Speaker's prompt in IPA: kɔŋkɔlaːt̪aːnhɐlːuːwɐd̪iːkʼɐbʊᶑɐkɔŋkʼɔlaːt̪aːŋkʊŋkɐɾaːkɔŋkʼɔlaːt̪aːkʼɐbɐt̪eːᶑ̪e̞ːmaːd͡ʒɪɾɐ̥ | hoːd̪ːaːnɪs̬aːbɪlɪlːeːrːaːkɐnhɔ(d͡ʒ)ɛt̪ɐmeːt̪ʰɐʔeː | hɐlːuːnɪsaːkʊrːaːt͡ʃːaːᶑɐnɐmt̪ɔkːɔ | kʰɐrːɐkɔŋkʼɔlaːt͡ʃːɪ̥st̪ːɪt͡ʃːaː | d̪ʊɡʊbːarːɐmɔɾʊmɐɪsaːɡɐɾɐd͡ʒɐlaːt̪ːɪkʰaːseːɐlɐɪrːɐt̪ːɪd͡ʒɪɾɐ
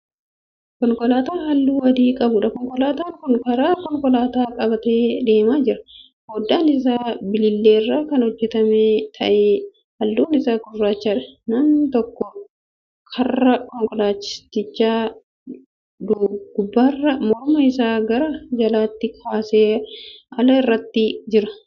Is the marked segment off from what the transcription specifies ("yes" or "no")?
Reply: yes